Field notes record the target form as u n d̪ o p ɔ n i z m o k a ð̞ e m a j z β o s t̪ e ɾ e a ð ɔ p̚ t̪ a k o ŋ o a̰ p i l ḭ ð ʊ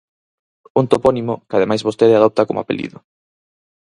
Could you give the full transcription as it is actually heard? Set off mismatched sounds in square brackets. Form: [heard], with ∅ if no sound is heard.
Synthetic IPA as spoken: u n [t̪] o p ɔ n i [∅] m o k a ð̞ e m a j z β o s t̪ e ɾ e a ð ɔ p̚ t̪ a k o [m] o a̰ p [e] l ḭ ð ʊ

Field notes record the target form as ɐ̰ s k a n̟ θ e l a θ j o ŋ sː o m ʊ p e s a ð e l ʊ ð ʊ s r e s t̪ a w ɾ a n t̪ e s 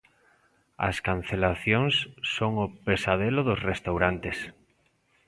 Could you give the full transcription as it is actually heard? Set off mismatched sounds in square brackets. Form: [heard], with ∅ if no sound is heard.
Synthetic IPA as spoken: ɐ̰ s k a n̟ θ e l a θ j o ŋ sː o [ŋ] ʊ p e s a ð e l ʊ ð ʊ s r e s t̪ a w ɾ a n t̪ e s

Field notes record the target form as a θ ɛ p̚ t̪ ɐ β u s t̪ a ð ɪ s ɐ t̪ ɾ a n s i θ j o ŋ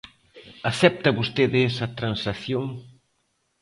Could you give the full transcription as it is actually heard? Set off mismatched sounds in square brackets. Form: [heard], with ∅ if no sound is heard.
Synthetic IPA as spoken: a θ ɛ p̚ t̪ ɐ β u s t̪ [e] ð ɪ s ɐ t̪ ɾ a n s [a] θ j o ŋ

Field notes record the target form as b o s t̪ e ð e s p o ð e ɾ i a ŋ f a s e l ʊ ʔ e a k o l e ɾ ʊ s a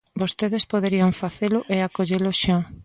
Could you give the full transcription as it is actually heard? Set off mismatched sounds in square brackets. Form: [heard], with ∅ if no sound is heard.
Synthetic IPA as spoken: b o s t̪ e ð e s p o ð e ɾ i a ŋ f a [θ] e l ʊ ʔ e a k o [ʎ] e [l] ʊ [ʃ] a

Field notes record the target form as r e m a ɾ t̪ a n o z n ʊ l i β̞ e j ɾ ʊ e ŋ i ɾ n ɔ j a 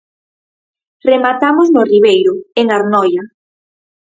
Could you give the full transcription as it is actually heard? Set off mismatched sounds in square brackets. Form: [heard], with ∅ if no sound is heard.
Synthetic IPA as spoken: r e m a [∅] t̪ a [m] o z n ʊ [r] i β̞ e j ɾ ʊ e ŋ [a] ɾ n ɔ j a

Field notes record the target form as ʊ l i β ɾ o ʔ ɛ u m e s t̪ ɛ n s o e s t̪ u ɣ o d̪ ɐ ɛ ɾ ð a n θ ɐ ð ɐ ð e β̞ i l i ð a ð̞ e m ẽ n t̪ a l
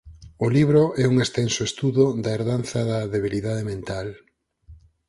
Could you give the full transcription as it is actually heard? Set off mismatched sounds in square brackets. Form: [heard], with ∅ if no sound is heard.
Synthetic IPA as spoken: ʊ l i β ɾ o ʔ ɛ u [ŋ] e s t̪ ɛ n s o e s t̪ u [ð] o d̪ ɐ [e] ɾ ð a n θ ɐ ð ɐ ð e β̞ i l i ð a ð̞ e m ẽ n t̪ a l

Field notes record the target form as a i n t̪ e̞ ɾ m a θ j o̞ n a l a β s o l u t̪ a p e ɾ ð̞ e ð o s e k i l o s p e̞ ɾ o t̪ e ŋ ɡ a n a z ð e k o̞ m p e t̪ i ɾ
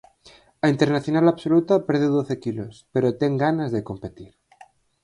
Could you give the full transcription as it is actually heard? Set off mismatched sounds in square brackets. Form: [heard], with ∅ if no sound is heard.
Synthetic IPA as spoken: a i n t̪ e̞ ɾ [n] a θ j o̞ n a l a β s o l u t̪ a p e ɾ ð̞ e ð o [θ] e k i l o s p e̞ ɾ o t̪ e ŋ ɡ a n a z ð e k o̞ m p e t̪ i ɾ

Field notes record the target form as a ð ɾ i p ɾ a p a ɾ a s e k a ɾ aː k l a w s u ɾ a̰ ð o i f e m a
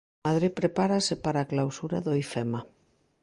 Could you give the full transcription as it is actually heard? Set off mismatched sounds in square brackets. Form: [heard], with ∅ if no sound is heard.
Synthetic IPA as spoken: a ð ɾ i p ɾ [e] p a ɾ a s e [p] a ɾ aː k l a w s u ɾ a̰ ð o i f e m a

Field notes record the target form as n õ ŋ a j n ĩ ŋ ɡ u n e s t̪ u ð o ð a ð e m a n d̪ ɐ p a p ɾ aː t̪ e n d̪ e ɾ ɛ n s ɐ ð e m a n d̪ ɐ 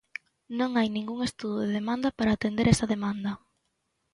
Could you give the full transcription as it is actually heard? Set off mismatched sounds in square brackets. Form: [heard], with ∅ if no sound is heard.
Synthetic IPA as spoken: n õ ŋ a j n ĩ ŋ ɡ u [ŋ] e s t̪ u ð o ð [e] ð e m a n d̪ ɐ p a [∅] ɾ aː t̪ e n d̪ e ɾ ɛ [∅] s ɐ ð e m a n d̪ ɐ

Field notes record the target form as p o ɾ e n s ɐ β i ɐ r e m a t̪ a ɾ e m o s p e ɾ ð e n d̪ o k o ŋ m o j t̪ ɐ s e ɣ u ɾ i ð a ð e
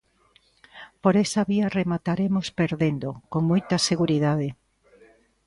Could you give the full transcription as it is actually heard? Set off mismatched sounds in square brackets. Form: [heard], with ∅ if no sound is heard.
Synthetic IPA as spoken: p o ɾ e [∅] s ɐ β i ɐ r e m a t̪ a ɾ e m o s p e ɾ ð e n d̪ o k o ŋ m o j t̪ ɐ s e ɣ u ɾ i ð a ð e

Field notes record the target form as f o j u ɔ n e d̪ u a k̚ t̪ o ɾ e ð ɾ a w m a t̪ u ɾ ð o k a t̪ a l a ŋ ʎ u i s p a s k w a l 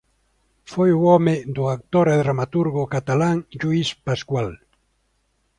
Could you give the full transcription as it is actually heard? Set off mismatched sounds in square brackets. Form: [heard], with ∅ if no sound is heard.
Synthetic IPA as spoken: f o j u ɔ [m] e d̪ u a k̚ t̪ o ɾ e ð ɾ a [∅] m a t̪ u ɾ [ɣ] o k a t̪ a l a ŋ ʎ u i s p a s k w a l

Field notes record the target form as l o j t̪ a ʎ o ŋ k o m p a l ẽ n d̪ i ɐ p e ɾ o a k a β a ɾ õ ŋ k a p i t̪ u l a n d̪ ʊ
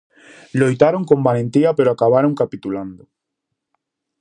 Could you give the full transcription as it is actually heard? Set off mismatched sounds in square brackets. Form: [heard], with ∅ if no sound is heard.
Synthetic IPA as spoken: l o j t̪ a [ɾ] o ŋ k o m [b] a l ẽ n [t̪] i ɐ p e ɾ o a k a β a ɾ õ ŋ k a p i t̪ u l a n d̪ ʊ

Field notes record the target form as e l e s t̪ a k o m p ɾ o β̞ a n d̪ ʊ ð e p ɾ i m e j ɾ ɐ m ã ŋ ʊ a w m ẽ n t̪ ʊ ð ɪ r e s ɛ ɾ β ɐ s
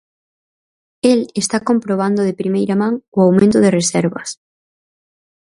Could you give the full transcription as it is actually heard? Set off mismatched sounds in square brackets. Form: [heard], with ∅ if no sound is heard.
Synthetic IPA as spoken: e l e s t̪ a k o m p ɾ o β̞ a n d̪ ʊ ð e p ɾ i m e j ɾ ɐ m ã ŋ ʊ a w m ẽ n t̪ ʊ ð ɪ r e s ɛ ɾ β ɐ s

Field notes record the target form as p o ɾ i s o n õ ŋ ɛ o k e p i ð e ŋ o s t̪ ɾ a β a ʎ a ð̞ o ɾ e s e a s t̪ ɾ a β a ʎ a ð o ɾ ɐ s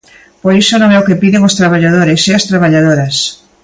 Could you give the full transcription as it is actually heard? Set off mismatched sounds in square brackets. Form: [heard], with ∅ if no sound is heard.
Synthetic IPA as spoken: p o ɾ i s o n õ ŋ ɛ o k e p i ð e ŋ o s t̪ ɾ a β a ʎ a ð̞ o ɾ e s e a s t̪ ɾ a β a ʎ a ð o ɾ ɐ s

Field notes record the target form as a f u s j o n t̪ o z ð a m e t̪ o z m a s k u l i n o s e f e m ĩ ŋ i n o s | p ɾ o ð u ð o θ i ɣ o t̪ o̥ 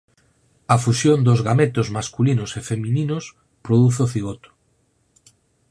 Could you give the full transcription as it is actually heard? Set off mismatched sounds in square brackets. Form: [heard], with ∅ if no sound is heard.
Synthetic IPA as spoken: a f u s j o n [d̪] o z [ɣ] a m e t̪ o z m a s k u l i n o s e f e m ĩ [n] i n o s | p ɾ o ð u [θ] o θ i ɣ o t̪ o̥

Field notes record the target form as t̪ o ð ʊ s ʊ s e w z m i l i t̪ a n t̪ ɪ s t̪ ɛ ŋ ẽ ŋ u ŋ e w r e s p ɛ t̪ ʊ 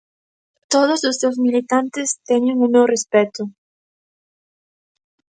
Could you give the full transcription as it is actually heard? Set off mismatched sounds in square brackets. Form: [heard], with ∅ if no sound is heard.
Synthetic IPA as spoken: t̪ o ð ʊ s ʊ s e w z m i l i t̪ a n t̪ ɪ s t̪ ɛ [ɲ] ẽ ŋ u [m] e w r e s p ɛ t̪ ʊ

